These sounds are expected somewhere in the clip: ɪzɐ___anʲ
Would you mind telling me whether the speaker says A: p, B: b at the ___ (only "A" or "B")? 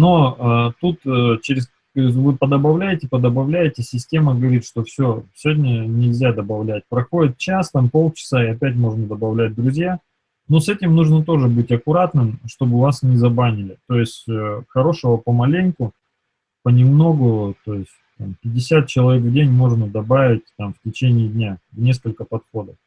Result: B